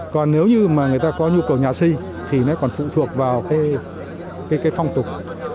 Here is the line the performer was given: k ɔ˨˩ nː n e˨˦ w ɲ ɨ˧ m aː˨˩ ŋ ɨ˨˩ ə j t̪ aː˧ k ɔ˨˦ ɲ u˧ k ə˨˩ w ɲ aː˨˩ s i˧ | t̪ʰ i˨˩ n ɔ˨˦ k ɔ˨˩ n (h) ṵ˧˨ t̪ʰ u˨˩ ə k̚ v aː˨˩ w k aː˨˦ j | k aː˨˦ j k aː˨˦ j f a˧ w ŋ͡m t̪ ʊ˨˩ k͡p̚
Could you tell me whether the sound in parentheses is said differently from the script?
yes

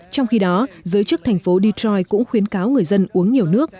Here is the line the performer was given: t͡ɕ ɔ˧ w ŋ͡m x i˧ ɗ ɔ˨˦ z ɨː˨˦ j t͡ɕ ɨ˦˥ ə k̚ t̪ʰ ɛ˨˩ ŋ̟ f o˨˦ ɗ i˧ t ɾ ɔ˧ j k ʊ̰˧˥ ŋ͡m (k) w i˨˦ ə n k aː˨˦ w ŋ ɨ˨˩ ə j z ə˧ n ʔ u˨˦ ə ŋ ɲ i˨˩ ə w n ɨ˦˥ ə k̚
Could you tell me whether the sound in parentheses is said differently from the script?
yes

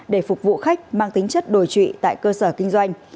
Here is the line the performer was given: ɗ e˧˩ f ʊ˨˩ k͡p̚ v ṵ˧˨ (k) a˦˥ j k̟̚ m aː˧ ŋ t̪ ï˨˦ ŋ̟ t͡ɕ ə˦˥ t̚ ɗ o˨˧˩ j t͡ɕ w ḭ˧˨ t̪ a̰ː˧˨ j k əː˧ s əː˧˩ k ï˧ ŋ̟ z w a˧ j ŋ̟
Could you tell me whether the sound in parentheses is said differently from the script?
yes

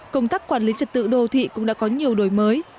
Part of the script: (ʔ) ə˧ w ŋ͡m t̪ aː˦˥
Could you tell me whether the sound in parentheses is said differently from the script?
yes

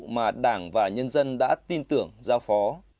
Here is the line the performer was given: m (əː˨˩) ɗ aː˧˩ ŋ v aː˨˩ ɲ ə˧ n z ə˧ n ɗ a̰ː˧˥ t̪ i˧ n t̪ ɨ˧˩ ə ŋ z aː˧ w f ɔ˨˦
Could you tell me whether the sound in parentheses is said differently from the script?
yes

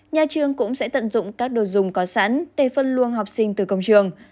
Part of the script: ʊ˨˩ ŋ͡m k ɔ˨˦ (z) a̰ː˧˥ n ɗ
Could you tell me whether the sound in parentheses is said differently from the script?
yes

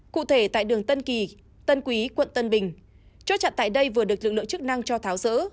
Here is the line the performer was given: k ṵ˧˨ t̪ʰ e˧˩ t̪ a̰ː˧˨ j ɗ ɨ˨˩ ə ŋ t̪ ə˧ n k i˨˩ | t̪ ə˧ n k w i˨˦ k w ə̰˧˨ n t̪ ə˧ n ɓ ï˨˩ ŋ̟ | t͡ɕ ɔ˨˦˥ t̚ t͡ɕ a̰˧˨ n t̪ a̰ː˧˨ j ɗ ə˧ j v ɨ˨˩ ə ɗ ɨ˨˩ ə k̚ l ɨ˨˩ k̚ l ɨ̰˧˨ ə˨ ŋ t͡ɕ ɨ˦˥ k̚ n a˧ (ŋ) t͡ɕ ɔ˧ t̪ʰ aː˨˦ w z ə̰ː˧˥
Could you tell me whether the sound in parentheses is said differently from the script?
no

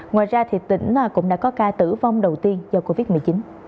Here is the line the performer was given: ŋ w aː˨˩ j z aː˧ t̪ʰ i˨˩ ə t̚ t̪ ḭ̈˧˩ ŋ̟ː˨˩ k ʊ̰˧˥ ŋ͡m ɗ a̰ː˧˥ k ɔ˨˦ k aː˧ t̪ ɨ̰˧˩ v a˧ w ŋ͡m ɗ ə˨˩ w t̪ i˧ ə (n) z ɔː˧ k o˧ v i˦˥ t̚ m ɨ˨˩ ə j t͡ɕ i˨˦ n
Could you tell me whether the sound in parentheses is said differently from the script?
no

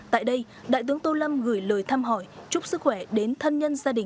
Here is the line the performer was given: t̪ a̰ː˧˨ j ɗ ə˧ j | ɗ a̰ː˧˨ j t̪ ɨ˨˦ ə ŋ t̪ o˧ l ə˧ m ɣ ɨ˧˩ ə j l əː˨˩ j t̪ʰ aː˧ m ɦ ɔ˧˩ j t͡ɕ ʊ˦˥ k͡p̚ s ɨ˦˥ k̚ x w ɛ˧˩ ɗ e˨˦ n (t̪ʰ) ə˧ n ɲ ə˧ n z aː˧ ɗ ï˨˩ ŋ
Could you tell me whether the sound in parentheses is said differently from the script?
no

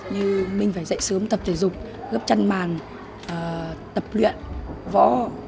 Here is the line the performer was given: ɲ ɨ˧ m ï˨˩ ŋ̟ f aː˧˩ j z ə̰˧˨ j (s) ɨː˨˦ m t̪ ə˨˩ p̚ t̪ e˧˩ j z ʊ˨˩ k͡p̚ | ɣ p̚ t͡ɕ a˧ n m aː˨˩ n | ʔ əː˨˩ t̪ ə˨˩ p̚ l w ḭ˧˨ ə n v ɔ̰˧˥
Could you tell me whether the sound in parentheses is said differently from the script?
no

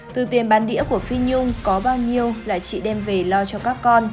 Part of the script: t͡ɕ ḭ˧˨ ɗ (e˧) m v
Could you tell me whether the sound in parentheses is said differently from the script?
yes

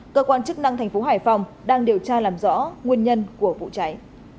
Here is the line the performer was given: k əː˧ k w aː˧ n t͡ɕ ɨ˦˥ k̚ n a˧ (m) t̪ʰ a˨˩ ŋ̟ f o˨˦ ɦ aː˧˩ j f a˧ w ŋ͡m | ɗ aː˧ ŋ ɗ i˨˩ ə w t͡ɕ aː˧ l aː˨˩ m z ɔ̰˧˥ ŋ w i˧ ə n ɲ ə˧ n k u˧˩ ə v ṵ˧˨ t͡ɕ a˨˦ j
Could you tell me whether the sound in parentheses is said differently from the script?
yes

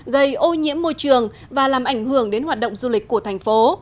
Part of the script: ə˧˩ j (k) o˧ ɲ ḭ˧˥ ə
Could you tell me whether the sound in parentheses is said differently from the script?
yes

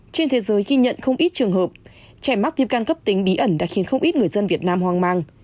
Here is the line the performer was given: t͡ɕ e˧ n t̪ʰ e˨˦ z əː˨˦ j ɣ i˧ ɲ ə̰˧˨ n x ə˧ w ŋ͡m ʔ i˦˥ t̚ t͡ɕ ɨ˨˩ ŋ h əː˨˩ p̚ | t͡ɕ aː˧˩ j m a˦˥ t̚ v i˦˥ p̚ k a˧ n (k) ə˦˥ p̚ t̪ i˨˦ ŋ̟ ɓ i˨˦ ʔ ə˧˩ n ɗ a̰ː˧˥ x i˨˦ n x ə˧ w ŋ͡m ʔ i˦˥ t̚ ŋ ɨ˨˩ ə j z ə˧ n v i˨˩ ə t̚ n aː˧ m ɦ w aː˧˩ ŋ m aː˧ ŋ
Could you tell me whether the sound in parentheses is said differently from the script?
no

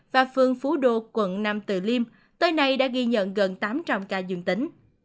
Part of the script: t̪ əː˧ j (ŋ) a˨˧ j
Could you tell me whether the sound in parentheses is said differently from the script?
yes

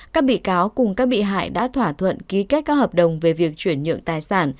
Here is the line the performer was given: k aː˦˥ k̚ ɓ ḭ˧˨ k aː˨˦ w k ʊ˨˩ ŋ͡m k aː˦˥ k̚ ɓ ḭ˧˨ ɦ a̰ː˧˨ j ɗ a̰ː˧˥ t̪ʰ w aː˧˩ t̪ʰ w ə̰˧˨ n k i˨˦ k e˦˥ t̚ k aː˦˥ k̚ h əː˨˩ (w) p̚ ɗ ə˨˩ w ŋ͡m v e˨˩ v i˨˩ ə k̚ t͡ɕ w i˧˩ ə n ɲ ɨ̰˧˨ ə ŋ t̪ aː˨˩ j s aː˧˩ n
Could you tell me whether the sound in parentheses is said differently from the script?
yes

